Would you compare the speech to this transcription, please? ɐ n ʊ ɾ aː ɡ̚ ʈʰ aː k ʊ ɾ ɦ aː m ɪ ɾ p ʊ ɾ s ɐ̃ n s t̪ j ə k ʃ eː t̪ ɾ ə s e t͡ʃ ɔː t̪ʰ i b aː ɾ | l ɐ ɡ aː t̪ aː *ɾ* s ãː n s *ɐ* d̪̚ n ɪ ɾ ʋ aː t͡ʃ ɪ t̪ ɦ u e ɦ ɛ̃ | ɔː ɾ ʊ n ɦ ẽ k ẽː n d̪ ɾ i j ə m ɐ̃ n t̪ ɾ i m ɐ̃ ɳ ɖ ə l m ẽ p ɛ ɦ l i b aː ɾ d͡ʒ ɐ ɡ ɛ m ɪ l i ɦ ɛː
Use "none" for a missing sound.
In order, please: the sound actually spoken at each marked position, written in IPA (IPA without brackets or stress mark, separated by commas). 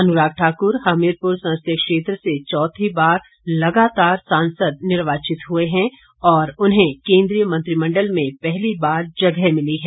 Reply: ɾ, ə